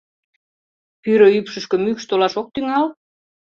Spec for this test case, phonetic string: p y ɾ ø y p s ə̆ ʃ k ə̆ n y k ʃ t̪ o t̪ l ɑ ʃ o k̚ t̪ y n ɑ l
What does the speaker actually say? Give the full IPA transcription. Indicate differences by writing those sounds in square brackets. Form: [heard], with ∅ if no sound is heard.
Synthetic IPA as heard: p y ɾ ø y p [ʃ] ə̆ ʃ k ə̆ [m] y k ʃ t̪ o [∅] l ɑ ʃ o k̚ t̪ y [ŋ] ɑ l